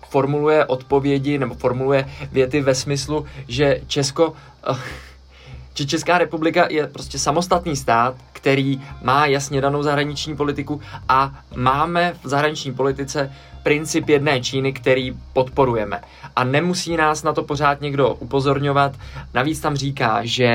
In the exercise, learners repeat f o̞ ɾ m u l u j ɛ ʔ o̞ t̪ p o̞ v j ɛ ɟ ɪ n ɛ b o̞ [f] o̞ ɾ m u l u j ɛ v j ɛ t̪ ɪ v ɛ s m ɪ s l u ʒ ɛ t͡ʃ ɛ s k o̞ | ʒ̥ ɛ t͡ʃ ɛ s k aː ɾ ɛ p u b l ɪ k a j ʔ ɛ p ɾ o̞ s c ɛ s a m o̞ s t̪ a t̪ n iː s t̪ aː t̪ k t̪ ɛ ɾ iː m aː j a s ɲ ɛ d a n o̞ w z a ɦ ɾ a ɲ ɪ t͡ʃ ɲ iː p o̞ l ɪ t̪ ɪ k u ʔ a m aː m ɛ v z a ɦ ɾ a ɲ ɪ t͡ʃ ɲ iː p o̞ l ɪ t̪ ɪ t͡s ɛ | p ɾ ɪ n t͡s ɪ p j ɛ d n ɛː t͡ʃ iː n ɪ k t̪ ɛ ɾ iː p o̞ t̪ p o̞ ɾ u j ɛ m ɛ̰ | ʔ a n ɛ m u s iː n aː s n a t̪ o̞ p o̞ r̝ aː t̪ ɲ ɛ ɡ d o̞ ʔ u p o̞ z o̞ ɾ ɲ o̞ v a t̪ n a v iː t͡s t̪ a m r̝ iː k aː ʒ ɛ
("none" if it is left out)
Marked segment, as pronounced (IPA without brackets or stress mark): f